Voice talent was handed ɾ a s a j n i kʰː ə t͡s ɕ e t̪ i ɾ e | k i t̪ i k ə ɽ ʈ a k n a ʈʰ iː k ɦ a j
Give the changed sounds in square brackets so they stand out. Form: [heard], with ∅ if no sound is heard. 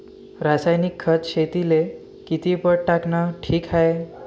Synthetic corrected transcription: ɾ a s a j n i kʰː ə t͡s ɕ e t̪ i [l] e | k i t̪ i [p] ə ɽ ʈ a k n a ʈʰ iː k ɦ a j